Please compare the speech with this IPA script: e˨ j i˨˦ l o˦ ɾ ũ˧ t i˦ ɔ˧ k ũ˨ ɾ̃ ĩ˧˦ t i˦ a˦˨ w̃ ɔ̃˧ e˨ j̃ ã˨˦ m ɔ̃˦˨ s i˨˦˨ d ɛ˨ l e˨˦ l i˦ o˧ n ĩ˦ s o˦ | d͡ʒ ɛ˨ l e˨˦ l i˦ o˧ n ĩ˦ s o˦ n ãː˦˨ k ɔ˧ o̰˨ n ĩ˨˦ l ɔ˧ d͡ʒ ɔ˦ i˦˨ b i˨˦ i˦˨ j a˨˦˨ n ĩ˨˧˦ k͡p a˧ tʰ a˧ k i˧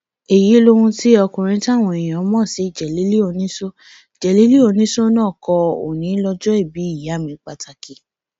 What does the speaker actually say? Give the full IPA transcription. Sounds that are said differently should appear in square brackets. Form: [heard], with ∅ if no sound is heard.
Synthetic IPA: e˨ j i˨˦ l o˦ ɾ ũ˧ t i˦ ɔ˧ k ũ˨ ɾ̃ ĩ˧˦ t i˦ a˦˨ w̃ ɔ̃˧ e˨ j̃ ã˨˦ m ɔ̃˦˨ s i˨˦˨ [d͡ʒ] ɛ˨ l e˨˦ l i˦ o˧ n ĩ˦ s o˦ | d͡ʒ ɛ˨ l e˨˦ l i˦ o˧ n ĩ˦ s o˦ n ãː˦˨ k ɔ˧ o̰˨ n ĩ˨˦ l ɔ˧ d͡ʒ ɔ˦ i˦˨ b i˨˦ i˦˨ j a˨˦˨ [m] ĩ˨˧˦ k͡p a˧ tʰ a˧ k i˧